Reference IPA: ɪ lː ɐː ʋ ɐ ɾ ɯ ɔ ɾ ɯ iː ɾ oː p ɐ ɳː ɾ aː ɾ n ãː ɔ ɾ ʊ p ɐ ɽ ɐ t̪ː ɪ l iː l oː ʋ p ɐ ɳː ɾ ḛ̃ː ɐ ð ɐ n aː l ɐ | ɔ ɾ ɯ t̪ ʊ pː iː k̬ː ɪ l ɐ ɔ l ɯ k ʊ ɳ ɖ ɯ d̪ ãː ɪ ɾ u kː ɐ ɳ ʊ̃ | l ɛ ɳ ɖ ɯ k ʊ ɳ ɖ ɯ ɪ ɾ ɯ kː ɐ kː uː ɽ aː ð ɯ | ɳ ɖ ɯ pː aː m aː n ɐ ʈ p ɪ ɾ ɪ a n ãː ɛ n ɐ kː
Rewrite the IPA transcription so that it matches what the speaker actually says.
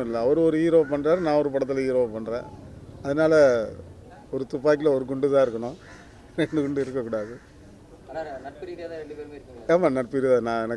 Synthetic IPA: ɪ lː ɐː ʋ ɐ ɾ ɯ ɔ ɾ ɯ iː ɾ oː p ɐ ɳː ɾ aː ɾ n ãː ɔ ɾ ɯ p ɐ ɽ ɐ t̪ː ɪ l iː ɾ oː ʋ p ɐ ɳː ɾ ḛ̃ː ɐ ð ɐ n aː l ɐ | ɔ ɾ ɯ t̪ ʊ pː aː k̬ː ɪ l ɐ ɔ ɾ ɯ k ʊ ɳ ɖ ɯ t̪ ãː ɪ ɾ ɯ kː ɐ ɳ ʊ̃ | ɾ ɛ ɳ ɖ ɯ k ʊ ɳ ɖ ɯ ɪ ɾ ɯ kː ɐ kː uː ɽ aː ð ɯ | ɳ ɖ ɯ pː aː m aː n ɐ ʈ p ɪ ɾ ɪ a n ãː ɛ n ɐ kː

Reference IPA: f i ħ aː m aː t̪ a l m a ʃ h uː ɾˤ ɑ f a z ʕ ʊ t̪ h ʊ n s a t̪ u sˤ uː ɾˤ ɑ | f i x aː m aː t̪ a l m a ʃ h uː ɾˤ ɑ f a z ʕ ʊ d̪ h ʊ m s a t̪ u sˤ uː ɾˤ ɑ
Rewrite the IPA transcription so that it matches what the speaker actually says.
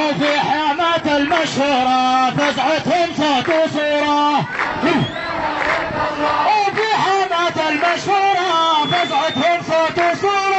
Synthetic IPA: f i ħ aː m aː t̪ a l m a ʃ h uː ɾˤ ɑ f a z ʕ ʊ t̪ h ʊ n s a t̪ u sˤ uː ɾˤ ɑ | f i ħ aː m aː t̪ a l m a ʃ h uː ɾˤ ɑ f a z ʕ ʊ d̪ h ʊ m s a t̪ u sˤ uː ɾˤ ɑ

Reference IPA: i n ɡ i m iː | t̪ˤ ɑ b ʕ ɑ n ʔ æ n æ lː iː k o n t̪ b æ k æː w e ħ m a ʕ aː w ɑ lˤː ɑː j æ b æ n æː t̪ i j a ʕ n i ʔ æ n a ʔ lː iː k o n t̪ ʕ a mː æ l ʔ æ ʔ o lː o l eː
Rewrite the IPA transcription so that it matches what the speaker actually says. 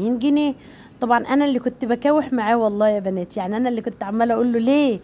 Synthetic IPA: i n ɡ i n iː | t̪ˤ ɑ b ʕ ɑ n ʔ æ n æ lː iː k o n t̪ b æ k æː w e ħ m a ʕ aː w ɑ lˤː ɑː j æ b æ n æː t̪ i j a ʕ n i ʔ æ n æ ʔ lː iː k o n t̪ ʕ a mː æ l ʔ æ ʔ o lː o l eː

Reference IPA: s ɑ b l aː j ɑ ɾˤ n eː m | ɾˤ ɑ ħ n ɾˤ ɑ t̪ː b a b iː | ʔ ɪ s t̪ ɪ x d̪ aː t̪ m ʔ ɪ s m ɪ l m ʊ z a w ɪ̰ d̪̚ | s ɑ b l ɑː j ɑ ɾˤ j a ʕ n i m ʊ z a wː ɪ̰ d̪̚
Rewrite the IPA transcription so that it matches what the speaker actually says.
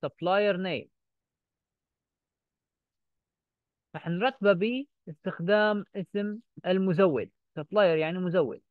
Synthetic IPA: s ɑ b l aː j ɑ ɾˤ n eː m | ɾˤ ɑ ħ n ɾˤ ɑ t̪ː b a b iː | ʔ ɪ s t̪ ɪ x d̪ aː m ʔ ɪ s m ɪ l m ʊ z a wː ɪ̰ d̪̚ | s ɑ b l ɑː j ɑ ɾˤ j a ʕ n i m ʊ z a wː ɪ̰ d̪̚

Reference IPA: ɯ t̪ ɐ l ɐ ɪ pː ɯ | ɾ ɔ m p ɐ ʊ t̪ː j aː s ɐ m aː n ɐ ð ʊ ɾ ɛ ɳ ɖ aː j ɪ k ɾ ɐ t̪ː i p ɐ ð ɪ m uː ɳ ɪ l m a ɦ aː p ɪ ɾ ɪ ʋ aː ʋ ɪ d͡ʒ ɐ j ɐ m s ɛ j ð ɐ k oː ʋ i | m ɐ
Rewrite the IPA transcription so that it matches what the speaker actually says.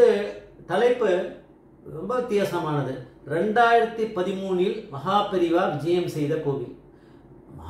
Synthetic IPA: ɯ t̪ ɐ l ɐ ɪ pː ɯ | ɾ ɔ m b ɐ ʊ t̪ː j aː s ɐ m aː n ɐ ð ɯ ɾ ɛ ɳ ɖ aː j ɪ ɾ ɐ t̪ː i p ɐ ð ɪ m uː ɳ ɪ l m ɐ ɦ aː p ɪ ɾ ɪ ʋ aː ʋ ɪ d͡ʒ ɐ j ɐ m s ɛ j ð ɐ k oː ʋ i | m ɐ

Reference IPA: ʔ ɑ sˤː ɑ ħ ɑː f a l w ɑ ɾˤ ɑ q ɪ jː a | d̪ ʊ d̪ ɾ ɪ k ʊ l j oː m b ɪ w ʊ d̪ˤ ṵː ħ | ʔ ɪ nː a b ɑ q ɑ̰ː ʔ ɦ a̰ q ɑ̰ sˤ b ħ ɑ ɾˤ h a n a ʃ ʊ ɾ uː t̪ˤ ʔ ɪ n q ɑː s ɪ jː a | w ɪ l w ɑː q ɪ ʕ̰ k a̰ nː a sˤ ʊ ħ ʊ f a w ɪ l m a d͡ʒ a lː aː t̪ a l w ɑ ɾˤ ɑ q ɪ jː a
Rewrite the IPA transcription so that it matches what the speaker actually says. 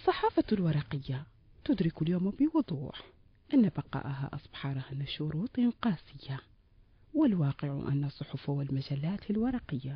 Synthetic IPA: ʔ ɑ sˤː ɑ ħ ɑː f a l w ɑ ɾˤ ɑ q ɪ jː a | t̪ ʊ d̪ ɾ ɪ k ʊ l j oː m b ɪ w ʊ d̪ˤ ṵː ħ | ʔ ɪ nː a b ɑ q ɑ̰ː ʔ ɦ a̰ ʔ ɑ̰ sˤ b ħ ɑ ɾˤ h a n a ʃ ʊ ɾ uː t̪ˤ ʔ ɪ n q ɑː s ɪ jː a | w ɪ l w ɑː q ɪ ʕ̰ ʔ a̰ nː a sˤ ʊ ħ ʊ f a w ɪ l m a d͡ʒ a lː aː t̪ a l w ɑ ɾˤ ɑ q ɪ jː a

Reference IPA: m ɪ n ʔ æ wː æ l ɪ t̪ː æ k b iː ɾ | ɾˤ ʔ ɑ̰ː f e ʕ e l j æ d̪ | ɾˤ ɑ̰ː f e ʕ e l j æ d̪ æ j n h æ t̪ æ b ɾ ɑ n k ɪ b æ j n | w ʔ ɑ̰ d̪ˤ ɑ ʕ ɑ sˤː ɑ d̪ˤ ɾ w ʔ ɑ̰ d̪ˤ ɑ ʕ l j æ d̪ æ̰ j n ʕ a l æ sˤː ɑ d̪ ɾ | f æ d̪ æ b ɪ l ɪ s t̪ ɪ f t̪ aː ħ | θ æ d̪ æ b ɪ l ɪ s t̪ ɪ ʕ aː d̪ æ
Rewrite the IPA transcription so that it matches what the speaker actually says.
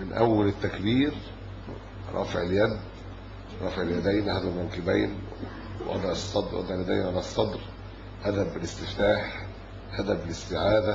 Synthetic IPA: m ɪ n ʔ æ wː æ l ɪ t̪ː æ k b iː ɾ | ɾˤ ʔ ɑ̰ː f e ʕ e l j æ d̪ | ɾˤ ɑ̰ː f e ʕ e l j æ d̪ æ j n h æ d̪ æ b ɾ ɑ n k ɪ b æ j n | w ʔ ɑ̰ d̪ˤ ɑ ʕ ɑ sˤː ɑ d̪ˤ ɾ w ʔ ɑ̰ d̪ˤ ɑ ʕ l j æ d̪ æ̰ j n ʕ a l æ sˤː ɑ d̪ ɾ | h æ d̪ æ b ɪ l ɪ s t̪ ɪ f t̪ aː ħ | h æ d̪ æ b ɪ l ɪ s t̪ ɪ ʕ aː d̪ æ

